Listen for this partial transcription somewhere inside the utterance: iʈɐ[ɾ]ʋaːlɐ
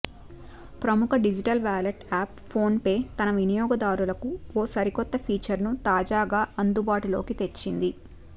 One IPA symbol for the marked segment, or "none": l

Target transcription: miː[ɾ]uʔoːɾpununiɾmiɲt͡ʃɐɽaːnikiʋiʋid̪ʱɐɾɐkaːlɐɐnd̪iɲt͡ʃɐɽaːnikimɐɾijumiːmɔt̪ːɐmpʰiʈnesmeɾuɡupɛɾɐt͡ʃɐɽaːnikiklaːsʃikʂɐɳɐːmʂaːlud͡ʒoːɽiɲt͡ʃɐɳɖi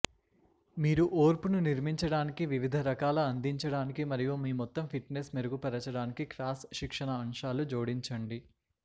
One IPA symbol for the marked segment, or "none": ɾ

